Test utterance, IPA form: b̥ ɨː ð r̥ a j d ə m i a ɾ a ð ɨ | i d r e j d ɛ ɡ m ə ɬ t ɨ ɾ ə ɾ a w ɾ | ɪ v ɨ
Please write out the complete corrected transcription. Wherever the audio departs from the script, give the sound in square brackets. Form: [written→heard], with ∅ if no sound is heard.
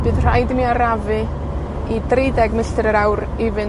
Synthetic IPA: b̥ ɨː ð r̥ a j d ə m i a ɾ a [ð→v] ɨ | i d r e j d ɛ ɡ m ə ɬ t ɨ ɾ ə ɾ a w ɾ | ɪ v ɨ